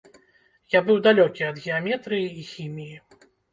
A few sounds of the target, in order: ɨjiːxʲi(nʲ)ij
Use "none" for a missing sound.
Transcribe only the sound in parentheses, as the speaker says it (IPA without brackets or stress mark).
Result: mʲ